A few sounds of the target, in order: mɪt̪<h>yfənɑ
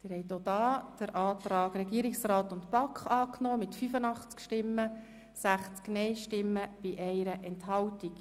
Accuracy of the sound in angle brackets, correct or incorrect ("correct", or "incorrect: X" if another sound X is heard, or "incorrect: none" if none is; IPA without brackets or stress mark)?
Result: incorrect: f